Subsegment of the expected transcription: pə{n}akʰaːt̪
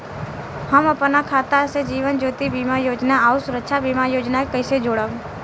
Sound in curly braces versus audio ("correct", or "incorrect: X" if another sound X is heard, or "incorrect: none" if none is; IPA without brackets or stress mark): correct